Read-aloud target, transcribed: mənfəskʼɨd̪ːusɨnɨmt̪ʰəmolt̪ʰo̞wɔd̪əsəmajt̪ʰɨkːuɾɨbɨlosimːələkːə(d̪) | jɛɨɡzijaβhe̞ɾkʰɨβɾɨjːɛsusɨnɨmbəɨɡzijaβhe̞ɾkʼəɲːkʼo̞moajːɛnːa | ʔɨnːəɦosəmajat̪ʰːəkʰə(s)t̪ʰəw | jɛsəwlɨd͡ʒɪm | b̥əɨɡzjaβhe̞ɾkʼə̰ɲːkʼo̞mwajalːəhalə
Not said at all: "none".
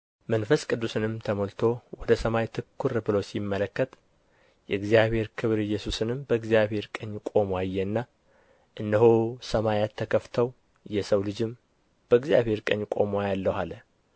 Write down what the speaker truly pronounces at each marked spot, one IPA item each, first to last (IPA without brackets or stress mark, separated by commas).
t̪, f